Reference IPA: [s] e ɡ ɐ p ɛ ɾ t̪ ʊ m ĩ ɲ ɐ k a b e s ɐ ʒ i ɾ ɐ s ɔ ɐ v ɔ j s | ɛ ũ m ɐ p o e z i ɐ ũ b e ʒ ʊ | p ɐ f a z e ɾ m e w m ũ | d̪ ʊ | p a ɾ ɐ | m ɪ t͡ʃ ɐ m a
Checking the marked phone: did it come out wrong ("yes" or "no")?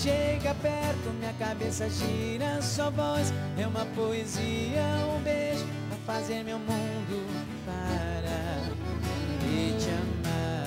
yes